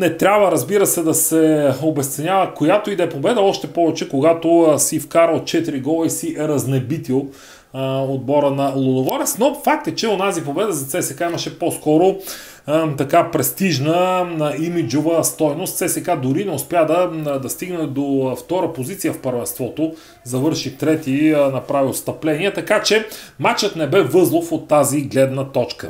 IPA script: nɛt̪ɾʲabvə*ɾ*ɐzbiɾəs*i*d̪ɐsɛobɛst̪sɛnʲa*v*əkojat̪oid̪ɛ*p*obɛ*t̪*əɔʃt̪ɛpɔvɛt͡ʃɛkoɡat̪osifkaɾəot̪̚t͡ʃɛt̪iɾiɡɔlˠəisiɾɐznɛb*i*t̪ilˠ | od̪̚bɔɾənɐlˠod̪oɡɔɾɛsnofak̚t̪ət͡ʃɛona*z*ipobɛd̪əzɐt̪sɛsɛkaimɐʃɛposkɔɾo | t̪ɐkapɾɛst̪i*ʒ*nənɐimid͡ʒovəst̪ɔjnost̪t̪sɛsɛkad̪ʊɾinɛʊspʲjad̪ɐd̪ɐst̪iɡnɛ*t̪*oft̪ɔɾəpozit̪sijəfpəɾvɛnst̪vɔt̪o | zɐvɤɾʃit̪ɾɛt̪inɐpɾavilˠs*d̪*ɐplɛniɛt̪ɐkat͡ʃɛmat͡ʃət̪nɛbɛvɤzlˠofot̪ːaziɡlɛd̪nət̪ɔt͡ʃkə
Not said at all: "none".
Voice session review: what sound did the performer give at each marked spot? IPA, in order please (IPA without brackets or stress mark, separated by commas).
ɾ, ɛ, v, p, d̪, i, z, ʒ, d̪, t̪